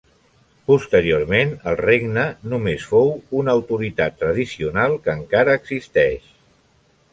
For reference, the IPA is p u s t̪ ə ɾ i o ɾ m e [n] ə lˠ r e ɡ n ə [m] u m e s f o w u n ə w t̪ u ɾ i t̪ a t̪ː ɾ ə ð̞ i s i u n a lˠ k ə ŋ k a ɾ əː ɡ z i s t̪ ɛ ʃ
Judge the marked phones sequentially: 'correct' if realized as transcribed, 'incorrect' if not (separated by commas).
correct, incorrect